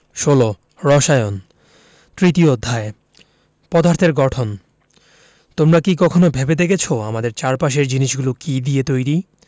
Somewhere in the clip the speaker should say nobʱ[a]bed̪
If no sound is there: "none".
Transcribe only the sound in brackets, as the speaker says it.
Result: e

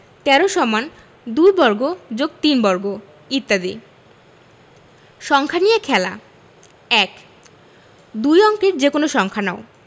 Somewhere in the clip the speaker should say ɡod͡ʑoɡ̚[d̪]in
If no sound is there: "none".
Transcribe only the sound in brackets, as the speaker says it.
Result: t̪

